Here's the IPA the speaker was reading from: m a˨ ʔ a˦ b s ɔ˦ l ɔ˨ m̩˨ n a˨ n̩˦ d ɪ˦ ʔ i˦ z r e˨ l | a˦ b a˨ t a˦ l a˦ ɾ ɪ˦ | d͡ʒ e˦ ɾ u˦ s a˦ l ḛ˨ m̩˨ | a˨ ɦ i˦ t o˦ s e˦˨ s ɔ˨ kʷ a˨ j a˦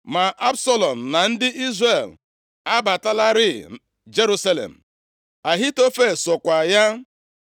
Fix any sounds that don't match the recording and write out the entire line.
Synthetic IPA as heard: m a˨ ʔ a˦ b s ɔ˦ l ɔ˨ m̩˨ n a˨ n̩˦ d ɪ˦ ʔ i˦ z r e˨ l | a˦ b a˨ t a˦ l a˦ ɾ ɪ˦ | d͡ʒ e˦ ɾ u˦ s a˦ l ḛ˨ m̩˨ | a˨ ɦ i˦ t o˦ f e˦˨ s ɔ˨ kʷ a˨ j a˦

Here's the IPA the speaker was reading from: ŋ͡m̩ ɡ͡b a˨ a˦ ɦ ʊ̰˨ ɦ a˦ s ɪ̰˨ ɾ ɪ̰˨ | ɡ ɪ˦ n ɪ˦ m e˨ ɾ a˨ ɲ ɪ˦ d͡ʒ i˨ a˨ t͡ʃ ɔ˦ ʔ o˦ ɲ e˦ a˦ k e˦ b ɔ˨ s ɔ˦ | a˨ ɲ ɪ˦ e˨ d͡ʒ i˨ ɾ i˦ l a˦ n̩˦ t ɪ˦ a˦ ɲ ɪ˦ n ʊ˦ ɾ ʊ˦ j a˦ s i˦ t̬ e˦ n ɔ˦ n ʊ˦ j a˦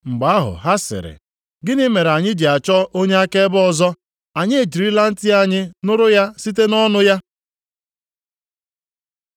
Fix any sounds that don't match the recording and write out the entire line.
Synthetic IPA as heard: ŋ͡m̩ ɡ͡b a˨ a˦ ɦ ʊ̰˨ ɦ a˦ s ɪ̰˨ ɾ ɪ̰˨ | ɡ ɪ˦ n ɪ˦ m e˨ ɾ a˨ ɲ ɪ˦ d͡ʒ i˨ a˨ t͡ʃ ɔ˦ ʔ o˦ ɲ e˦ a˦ k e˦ b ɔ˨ z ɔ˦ | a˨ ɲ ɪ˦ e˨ d͡ʒ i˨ ɾ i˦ l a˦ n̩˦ t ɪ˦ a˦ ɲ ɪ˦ n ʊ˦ ɾ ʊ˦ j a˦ s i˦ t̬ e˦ n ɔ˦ n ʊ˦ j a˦

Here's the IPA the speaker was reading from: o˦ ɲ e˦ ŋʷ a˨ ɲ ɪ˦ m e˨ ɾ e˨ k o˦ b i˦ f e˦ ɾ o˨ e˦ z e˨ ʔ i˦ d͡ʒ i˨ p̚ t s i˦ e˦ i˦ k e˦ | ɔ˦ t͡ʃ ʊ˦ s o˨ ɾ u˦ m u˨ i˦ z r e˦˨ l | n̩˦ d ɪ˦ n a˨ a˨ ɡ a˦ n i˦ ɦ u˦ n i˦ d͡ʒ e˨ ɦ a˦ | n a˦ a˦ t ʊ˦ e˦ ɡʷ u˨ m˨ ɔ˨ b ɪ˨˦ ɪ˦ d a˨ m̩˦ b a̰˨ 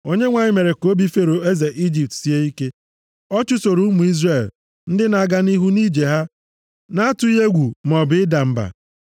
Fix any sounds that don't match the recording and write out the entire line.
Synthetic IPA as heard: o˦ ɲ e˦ ŋʷ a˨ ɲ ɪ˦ m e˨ ɾ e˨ k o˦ b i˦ f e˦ ɾ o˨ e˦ z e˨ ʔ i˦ d͡ʒ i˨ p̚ t s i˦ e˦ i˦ k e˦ | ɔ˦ t͡ʃ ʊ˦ s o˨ ɾ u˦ m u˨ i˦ z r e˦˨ l | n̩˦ d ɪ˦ n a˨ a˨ ɡ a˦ n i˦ ɦ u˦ n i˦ d͡ʒ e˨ ɦ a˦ | n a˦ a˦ t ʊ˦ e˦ ɡʷ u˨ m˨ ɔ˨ b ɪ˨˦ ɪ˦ d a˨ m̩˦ b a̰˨

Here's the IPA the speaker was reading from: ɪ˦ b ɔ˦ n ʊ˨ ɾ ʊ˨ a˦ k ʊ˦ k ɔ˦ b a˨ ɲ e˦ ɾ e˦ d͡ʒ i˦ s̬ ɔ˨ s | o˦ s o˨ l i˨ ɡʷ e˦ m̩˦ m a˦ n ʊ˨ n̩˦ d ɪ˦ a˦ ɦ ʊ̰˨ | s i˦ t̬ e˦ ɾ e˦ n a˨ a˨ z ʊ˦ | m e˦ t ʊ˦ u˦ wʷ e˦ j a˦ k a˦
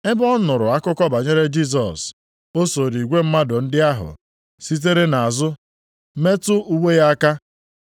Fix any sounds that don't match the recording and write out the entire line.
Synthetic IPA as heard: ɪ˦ b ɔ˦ n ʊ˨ ɾ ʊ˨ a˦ k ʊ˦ k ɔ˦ b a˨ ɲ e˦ ɾ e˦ d͡ʒ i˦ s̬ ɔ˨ s | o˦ s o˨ ɾ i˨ ɡʷ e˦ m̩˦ m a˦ d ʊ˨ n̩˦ d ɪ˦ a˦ ɦ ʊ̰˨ | s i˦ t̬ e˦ ɾ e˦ n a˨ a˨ z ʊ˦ | m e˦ t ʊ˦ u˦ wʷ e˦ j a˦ k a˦

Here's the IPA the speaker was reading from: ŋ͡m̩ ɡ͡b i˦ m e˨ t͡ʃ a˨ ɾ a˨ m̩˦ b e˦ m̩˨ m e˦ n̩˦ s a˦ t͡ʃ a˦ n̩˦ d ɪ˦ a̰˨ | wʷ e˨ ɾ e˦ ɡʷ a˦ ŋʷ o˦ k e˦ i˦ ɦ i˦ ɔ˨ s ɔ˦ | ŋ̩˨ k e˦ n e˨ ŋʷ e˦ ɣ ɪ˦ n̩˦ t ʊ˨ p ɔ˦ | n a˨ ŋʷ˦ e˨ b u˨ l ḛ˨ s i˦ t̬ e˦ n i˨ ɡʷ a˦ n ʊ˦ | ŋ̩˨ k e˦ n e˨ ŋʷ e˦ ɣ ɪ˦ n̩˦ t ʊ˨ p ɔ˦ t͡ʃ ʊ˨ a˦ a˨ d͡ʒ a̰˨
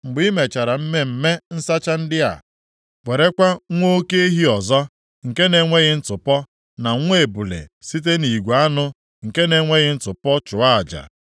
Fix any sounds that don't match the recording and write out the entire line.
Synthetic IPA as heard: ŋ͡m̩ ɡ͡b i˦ m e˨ t͡ʃ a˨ ɾ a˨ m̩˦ m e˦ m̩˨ m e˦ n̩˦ s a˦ t͡ʃ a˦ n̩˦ d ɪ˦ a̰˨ | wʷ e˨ ɾ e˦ kʷ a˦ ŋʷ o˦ k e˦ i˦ ɦ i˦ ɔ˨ z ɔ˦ | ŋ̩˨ k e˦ n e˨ ŋʷ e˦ ɣ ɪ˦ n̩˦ t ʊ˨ p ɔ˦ | n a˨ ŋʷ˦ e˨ b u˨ l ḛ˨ s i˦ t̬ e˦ n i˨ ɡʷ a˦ n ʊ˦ | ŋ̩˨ k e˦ n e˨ ŋʷ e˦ ɣ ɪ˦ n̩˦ t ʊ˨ p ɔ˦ t͡ʃ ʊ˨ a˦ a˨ d͡ʒ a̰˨

